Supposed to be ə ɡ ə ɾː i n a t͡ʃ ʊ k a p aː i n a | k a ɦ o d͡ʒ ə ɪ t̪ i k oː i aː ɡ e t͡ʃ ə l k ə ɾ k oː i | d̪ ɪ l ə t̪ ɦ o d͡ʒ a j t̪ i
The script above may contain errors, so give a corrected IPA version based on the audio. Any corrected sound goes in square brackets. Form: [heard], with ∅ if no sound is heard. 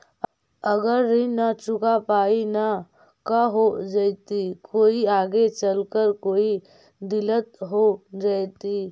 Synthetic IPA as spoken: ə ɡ ə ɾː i n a t͡ʃ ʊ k a p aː i n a | k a ɦ o d͡ʒ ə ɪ t̪ i k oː i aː ɡ e t͡ʃ ə l k ə ɾ k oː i | d̪ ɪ l ə t̪ ɦ o d͡ʒ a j t̪ i